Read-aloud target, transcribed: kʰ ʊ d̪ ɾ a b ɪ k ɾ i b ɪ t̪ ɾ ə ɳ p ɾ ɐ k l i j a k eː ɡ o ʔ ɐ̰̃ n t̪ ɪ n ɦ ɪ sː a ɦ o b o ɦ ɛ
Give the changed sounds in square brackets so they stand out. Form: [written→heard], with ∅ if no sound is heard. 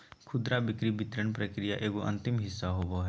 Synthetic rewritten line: kʰ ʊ d̪ ɾ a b ɪ k ɾ i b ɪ t̪ ɾ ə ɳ p ɾ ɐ k [l→ɾ] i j a [k→ʔ] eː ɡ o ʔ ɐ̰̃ n t̪ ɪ [n→m] ɦ ɪ sː a ɦ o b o ɦ ɛ

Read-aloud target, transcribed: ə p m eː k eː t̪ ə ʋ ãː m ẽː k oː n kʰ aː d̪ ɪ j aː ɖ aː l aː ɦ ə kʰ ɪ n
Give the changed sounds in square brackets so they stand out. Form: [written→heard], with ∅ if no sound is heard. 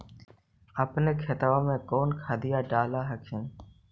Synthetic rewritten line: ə p [m→n] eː [k→kʰ] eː t̪ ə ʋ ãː m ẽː k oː n kʰ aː d̪ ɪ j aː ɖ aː l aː ɦ ə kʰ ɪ n

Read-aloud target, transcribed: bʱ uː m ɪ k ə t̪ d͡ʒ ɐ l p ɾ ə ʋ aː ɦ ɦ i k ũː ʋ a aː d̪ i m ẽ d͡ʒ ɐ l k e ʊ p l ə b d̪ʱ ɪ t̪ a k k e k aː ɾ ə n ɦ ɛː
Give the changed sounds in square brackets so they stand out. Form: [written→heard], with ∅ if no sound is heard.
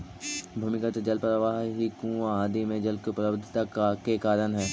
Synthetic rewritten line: bʱ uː m ɪ k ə t̪ d͡ʒ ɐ l p ɾ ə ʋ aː ɦ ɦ i k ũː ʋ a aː d̪ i m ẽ d͡ʒ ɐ l k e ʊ p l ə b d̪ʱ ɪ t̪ a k k e k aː ɾ ə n ɦ ɛː

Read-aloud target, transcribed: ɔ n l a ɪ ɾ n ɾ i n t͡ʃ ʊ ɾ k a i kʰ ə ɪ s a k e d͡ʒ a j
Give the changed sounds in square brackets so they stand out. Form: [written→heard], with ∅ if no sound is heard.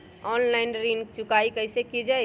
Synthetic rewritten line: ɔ n l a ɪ [ɾ→∅] n ɾ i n t͡ʃ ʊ [ɾ→∅] k a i [kʰ→k] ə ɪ s [a→e] k [e→i] d͡ʒ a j

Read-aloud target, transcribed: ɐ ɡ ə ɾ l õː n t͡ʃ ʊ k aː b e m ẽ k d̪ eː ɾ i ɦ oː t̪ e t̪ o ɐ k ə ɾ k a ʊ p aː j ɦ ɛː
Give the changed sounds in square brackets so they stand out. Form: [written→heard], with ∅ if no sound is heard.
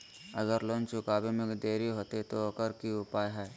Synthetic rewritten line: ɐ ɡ ə ɾ l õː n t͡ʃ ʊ k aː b e m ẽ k d̪ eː ɾ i ɦ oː t̪ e t̪ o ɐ k ə ɾ k [a→i] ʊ p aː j ɦ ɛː

